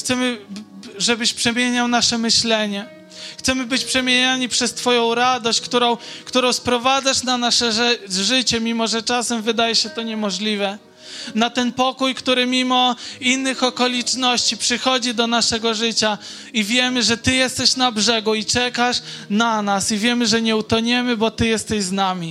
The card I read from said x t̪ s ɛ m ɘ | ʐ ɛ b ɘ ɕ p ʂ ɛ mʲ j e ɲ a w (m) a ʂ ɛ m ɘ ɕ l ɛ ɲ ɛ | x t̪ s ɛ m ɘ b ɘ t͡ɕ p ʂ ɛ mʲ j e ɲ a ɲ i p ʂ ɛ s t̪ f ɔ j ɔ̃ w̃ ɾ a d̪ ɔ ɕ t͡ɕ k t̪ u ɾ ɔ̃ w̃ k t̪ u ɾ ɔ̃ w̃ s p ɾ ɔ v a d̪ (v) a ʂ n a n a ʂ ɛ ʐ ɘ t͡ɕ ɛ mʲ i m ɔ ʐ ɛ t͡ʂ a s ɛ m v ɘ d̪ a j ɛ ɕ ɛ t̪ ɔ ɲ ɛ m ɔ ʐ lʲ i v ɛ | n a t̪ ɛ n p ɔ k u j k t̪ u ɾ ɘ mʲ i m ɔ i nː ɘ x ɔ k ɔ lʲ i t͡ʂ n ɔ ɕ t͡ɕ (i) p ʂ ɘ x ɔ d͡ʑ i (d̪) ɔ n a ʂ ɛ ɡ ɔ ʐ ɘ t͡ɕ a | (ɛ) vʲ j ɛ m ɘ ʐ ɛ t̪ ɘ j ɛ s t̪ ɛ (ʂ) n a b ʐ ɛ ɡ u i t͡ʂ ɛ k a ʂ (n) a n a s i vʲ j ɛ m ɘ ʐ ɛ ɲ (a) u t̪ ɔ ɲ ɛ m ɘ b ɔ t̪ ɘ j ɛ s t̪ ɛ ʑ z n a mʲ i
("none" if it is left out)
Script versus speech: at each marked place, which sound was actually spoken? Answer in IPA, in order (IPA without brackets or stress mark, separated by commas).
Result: n, z, i, d̪, i, ɕ, n, ɛ